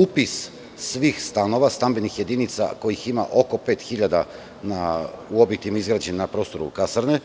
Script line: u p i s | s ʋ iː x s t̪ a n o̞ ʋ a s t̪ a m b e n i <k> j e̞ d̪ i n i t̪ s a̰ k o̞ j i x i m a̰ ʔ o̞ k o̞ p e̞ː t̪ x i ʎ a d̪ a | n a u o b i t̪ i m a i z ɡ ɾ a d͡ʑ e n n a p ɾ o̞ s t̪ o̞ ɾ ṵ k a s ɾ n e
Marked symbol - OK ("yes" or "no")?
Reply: no